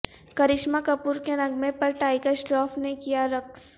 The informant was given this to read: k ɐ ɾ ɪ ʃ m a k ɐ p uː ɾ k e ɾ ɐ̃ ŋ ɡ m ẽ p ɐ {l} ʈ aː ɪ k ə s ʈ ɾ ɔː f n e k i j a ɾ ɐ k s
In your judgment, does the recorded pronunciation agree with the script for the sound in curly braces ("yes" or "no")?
no